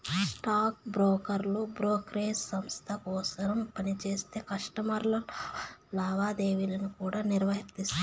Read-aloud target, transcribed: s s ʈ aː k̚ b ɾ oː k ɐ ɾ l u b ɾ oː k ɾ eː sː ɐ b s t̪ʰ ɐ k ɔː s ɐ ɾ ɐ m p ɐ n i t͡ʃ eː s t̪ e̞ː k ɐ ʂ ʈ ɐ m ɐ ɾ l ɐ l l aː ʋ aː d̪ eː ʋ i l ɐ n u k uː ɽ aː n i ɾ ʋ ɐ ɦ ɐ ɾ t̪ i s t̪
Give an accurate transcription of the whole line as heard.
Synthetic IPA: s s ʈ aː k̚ b ɾ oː k ɐ ɾ l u b ɾ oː k ɾ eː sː ɐ m s t̪ʰ ɐ k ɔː s ɐ ɾ ɐ m p ɐ n i t͡ʃ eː s t̪ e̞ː k ɐ ʂ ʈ ɐ m ɐ ɾ l ɐ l l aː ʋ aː d̪ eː ʋ i l ɐ n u k uː ɽ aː n i ɾ ʋ ɐ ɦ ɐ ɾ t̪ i s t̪